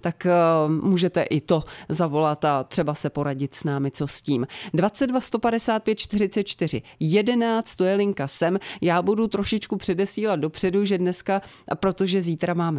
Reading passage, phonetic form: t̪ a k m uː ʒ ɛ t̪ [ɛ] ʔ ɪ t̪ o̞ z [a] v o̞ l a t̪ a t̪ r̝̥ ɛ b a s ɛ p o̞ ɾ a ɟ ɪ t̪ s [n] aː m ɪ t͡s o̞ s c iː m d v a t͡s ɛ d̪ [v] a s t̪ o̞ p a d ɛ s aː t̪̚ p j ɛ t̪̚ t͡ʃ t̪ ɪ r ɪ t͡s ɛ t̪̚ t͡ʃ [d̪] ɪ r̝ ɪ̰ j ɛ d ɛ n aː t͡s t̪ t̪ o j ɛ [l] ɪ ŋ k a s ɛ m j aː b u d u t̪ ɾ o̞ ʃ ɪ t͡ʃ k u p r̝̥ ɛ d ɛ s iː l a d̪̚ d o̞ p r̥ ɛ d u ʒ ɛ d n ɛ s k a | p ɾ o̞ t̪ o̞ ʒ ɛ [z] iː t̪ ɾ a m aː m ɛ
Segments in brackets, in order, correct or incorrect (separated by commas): correct, correct, correct, correct, incorrect, correct, correct